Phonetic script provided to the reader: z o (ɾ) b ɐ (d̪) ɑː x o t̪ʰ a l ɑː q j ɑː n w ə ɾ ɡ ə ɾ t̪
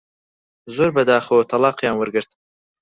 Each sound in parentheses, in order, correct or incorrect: correct, correct

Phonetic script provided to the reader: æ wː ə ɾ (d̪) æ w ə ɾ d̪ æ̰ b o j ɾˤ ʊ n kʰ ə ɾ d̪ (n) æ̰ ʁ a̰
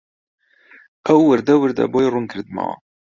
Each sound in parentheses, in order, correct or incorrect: correct, incorrect

